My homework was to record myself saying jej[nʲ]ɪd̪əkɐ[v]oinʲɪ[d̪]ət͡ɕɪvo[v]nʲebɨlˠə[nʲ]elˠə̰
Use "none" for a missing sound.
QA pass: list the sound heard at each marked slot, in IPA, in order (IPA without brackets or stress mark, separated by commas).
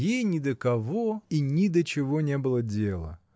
nʲ, v, d̪, none, dʲ